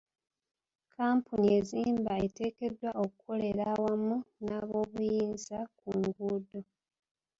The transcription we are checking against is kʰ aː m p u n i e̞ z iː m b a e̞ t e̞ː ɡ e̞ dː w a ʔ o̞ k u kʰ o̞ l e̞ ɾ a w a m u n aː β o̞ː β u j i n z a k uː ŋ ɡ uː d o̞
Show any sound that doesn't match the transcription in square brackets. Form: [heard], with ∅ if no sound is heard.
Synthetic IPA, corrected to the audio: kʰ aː m p u n i e̞ z iː m b a e̞ t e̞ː [k] e̞ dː w a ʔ o̞ k u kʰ o̞ l e̞ ɾ a w a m u n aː β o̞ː β u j [iː] n z a k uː ŋ ɡ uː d o̞